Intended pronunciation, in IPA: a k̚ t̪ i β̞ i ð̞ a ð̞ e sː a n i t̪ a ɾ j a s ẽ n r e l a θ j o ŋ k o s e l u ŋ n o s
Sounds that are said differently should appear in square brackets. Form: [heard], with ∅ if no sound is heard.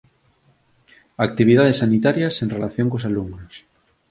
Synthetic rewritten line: a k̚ t̪ i β̞ i ð̞ a ð̞ e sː a n i t̪ a ɾ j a s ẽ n r e l a θ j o ŋ k o s [a] l u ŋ n o s